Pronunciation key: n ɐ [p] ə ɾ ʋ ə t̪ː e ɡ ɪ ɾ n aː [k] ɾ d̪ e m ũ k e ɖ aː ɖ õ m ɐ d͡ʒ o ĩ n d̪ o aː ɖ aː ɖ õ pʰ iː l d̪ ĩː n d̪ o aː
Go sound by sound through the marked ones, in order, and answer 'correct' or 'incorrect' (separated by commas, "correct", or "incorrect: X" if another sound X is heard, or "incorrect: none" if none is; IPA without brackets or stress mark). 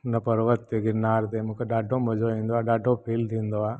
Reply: correct, incorrect: none